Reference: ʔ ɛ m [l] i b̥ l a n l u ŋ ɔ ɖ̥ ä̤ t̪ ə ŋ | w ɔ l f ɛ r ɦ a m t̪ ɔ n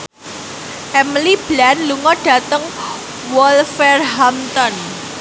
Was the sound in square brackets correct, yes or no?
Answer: yes